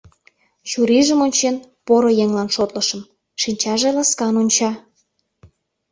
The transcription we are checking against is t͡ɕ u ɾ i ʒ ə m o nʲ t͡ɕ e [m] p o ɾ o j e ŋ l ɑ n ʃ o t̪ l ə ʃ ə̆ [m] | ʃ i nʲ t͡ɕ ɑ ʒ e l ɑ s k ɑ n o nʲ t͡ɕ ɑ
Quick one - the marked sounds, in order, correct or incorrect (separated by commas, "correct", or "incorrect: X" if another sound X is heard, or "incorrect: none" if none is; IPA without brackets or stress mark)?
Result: incorrect: n, correct